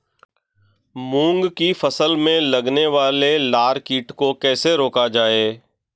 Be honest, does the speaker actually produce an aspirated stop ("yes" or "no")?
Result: no